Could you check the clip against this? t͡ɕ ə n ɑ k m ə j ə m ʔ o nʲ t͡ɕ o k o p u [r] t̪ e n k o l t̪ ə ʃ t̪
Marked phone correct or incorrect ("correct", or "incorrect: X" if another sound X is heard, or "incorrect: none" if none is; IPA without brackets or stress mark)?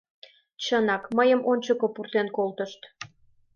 correct